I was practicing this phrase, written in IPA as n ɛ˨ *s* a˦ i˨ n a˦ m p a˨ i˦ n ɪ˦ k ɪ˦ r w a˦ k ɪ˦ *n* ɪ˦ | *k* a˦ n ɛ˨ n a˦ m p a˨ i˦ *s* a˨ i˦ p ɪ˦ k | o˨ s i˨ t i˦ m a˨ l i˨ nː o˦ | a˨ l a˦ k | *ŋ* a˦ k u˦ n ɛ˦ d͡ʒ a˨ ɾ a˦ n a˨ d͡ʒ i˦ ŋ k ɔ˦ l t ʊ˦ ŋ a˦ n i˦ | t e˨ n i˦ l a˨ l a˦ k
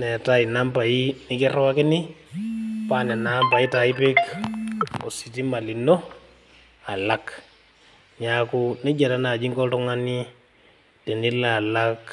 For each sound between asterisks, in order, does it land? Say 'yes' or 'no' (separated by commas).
no, yes, no, no, no